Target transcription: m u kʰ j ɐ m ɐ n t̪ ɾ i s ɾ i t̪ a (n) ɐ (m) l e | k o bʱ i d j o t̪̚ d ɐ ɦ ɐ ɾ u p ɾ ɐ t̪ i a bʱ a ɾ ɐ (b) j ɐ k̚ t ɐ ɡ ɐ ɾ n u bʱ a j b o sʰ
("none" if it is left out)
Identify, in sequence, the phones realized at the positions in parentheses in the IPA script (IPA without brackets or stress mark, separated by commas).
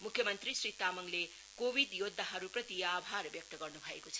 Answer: m, ŋ, b